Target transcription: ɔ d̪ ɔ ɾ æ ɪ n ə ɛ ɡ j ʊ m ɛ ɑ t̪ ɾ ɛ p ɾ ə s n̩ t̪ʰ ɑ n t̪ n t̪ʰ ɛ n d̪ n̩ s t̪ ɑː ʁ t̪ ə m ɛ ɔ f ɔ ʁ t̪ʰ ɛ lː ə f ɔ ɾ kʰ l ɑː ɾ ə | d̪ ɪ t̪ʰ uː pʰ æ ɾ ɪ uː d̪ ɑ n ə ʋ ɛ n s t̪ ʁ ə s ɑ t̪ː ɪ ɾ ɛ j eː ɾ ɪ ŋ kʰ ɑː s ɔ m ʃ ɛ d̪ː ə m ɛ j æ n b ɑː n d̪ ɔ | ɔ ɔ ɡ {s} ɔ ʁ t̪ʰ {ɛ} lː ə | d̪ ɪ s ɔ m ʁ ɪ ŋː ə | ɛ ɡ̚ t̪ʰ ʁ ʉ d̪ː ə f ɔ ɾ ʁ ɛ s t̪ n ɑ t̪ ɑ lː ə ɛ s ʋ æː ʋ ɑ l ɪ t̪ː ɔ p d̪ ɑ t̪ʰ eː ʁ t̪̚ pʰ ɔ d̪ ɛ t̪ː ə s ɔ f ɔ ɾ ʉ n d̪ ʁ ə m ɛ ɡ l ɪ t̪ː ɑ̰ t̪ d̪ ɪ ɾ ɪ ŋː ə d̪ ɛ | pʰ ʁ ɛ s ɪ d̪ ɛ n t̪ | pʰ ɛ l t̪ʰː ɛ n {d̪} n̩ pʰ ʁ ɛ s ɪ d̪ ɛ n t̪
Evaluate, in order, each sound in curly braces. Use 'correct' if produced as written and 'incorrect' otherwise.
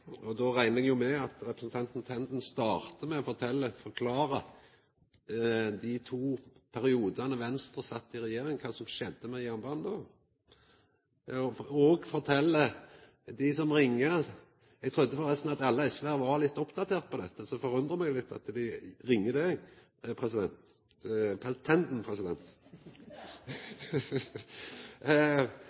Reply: incorrect, correct, correct

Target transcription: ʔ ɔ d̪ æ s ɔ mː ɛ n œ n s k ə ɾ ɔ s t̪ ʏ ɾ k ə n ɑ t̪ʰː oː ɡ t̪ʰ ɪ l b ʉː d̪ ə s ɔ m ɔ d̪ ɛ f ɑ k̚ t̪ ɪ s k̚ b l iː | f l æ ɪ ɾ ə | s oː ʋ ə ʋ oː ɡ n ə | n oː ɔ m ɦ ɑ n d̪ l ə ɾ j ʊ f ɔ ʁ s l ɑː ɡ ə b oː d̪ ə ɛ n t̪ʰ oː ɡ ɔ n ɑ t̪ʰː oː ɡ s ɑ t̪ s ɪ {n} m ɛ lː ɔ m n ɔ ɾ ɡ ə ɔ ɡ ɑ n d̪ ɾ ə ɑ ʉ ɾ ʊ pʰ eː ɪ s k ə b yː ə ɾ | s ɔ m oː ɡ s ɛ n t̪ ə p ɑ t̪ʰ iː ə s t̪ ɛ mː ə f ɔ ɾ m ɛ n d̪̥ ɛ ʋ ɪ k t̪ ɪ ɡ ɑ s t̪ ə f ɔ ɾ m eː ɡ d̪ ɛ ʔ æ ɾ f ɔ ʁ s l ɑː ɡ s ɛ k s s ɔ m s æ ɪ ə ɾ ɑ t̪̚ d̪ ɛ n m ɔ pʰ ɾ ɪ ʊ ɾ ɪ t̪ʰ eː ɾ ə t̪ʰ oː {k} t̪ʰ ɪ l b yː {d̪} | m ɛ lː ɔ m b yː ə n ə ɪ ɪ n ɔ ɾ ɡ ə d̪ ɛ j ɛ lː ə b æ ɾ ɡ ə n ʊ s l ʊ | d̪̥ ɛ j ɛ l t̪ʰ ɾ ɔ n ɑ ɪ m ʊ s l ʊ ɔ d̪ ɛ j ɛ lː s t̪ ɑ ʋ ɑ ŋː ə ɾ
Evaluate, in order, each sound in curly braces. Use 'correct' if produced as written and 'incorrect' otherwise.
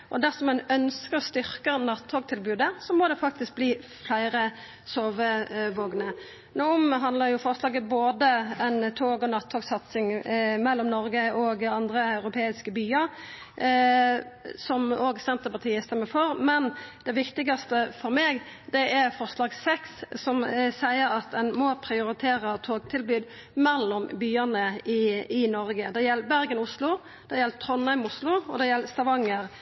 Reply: incorrect, incorrect, correct

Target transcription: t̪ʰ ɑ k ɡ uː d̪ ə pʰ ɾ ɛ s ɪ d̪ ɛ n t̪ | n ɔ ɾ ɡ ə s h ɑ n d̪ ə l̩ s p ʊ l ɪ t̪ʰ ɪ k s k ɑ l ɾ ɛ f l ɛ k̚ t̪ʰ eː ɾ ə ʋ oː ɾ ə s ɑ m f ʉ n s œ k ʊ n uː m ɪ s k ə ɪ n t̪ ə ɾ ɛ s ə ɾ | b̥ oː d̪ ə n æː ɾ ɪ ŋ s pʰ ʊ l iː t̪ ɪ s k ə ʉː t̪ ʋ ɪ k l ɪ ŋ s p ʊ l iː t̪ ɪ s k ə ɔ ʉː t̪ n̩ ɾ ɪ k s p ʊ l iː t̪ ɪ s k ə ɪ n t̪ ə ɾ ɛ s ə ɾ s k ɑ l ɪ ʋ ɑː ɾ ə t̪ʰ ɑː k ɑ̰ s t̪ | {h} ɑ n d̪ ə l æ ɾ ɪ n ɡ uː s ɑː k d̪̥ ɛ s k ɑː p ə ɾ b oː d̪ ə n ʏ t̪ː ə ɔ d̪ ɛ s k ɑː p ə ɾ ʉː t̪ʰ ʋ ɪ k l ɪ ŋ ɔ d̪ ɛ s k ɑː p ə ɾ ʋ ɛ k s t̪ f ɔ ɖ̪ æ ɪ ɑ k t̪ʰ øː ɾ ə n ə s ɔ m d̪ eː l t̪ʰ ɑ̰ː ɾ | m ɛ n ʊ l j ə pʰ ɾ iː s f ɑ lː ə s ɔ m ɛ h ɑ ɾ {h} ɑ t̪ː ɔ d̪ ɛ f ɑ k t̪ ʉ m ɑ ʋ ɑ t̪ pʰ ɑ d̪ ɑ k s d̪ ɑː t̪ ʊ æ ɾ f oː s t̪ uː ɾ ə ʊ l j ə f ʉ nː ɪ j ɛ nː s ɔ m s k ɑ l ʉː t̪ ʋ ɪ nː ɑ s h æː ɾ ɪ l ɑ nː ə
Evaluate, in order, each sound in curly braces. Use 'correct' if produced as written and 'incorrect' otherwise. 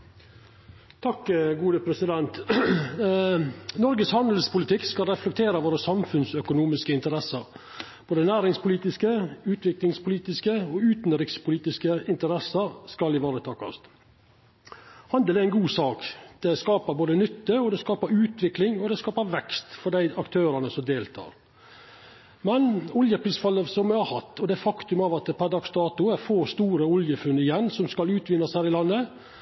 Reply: correct, correct

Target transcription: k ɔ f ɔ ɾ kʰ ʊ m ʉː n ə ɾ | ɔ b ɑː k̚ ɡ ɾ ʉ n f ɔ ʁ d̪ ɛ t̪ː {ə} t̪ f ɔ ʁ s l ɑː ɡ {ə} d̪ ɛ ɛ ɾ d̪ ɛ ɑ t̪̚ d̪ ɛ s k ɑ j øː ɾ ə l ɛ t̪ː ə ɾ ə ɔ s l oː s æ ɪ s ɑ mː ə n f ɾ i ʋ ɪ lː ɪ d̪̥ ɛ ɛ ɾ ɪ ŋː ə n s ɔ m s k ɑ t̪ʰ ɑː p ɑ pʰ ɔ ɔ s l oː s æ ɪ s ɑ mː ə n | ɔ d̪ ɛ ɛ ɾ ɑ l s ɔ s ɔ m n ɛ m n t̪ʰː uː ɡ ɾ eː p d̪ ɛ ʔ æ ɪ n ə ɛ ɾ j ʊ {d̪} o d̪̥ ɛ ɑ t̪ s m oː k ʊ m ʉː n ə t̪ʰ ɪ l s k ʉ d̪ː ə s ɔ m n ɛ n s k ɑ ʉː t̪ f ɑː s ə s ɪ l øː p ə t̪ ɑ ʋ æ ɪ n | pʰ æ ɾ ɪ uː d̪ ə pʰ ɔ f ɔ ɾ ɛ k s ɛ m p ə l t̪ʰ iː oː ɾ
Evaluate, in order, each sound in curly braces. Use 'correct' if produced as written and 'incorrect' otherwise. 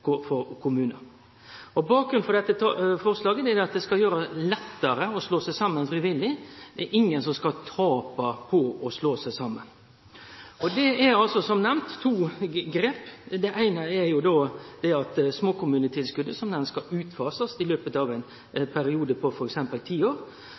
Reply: correct, correct, correct

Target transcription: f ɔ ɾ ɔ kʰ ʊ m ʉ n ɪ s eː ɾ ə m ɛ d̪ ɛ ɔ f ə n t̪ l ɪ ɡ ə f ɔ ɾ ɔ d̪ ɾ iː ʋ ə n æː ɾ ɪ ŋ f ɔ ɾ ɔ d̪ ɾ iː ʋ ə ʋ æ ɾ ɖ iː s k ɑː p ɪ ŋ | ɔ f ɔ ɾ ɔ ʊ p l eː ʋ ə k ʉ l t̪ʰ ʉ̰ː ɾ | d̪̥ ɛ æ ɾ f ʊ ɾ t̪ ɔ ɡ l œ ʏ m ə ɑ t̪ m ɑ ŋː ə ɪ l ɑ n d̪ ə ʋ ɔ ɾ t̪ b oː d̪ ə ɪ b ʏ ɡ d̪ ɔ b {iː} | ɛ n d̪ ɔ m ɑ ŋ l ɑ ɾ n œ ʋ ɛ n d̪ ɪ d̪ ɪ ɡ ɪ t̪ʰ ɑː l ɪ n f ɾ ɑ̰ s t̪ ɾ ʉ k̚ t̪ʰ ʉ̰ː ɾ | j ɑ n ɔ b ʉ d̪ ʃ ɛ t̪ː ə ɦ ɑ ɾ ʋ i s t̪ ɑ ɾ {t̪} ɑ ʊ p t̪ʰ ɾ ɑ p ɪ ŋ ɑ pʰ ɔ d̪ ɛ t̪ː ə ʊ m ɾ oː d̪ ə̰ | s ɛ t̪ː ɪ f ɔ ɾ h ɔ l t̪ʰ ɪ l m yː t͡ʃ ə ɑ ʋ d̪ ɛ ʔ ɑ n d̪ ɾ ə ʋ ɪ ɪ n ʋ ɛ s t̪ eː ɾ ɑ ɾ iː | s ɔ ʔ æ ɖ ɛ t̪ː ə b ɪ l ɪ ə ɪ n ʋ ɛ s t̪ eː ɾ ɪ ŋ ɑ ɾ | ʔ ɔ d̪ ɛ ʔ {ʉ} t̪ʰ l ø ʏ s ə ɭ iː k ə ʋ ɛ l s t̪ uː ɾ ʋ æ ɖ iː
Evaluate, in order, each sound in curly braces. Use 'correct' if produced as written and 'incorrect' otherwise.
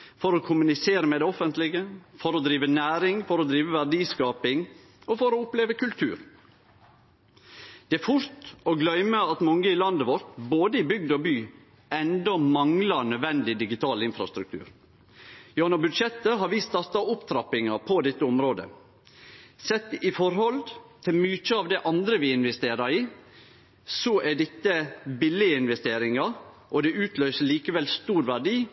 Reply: incorrect, correct, incorrect

